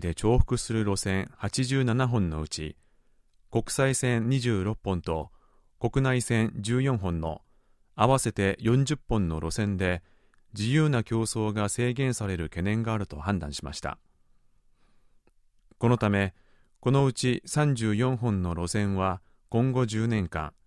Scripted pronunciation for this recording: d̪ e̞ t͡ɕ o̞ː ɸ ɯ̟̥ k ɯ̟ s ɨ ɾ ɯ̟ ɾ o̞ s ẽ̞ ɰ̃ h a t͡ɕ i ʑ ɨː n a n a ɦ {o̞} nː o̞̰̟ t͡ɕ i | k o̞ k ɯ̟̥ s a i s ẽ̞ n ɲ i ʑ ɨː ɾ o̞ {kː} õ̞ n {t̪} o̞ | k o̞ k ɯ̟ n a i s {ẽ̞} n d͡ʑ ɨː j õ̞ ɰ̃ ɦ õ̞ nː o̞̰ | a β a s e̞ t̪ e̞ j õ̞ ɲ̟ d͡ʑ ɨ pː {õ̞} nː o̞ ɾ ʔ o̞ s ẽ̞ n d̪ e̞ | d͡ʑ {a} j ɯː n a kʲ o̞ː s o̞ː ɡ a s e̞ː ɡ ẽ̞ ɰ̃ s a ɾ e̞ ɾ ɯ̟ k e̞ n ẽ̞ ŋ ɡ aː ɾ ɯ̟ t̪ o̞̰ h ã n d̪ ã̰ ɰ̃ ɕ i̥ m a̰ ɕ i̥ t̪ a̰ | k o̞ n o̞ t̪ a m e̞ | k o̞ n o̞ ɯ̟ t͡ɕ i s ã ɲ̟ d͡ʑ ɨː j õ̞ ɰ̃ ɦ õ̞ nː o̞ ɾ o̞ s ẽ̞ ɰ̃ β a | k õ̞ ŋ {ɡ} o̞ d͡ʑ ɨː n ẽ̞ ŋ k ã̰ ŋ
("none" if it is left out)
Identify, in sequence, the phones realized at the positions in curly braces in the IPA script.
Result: õ̞, pː, t̪, ẽ̞, õ̞, i, ɡ

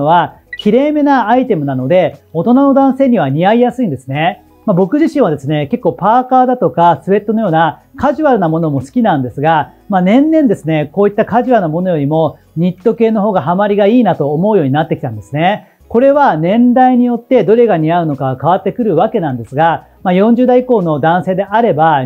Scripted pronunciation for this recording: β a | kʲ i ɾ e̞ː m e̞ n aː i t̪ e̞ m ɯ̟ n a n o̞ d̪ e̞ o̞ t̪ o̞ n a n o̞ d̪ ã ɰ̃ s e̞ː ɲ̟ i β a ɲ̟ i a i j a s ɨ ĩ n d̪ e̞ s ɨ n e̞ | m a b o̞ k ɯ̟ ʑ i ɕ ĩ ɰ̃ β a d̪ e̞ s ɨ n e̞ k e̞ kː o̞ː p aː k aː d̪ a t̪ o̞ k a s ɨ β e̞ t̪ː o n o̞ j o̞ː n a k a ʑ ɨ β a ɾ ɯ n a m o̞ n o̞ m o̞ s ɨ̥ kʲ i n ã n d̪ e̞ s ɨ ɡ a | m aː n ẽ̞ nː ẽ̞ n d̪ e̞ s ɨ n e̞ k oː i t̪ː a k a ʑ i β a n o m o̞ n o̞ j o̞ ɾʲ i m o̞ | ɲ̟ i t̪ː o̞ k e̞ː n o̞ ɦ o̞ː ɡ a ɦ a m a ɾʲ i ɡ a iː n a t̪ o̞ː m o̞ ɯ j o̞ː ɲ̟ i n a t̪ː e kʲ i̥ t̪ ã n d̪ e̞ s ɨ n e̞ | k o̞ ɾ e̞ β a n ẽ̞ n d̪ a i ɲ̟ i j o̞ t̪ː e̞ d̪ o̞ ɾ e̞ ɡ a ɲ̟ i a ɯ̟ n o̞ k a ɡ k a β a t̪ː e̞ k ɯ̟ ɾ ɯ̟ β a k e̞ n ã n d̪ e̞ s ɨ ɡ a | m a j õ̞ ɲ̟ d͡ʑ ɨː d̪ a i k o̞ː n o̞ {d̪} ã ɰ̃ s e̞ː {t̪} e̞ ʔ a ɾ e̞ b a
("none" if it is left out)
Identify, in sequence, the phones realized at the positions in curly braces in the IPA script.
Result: d̪, d̪

